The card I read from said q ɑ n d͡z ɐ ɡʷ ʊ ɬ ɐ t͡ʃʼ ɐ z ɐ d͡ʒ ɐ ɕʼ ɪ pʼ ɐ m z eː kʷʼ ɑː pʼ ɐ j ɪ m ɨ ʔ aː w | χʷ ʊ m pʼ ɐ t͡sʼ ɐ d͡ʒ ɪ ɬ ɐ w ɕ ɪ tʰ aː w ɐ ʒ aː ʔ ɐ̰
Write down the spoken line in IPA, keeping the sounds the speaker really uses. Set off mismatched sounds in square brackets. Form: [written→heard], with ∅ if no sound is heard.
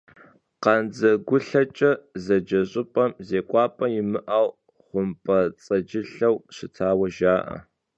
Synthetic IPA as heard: q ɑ n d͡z ɐ ɡʷ ʊ ɬ ɐ t͡ʃʼ ɐ z ɐ d͡ʒ ɐ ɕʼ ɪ pʼ ɐ m z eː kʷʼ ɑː pʼ ɐ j ɪ m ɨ ʔ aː w | χʷ ʊ m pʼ ɐ t͡sʼ ɐ d͡ʒ ɪ ɬ ɐ w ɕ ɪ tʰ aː w ɐ ʒ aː ʔ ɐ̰